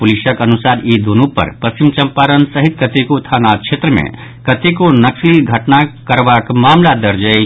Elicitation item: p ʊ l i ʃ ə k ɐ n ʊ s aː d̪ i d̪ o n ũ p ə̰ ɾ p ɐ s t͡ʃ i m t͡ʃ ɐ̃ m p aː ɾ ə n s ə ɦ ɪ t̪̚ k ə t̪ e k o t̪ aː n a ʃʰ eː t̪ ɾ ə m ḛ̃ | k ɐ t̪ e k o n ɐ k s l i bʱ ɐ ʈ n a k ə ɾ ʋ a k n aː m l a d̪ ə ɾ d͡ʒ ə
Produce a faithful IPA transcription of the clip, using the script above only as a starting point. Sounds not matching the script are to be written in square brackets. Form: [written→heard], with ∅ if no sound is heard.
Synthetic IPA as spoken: p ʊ l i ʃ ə k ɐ n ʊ s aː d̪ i d̪ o n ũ p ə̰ ɾ p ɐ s t͡ʃ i m t͡ʃ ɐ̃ m p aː ɾ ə n s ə ɦ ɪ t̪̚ k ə t̪ e k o [t̪→t̪ʰ] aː n a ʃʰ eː t̪ ɾ ə m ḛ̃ | k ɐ t̪ e k o n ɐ k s l i [bʱ→ɡʱ] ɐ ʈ n a k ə ɾ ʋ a k [n→m] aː m l a d̪ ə ɾ d͡ʒ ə

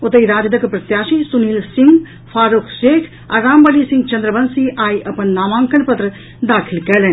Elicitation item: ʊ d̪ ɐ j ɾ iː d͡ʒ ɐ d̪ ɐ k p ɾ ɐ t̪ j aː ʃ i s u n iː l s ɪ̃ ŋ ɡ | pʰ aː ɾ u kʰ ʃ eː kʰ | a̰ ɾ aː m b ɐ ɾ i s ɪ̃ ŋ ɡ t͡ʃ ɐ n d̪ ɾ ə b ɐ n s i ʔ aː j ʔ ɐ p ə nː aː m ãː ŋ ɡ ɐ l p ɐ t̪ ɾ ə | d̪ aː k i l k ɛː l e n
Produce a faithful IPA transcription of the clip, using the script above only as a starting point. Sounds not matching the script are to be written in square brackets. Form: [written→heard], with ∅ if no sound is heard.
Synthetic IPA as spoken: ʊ [d̪→t̪] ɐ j ɾ [iː→aː] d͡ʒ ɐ d̪ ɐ k p ɾ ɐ t̪ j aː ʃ i s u n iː l s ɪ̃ ŋ ɡ | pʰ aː ɾ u kʰ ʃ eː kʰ | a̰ ɾ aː m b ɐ [ɾ→l] i s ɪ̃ ŋ ɡ t͡ʃ ɐ n d̪ ɾ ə b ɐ n s i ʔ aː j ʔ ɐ p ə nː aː m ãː ŋ [ɡ→k] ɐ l p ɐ t̪ ɾ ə | d̪ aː [k→kʰ] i l k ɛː l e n

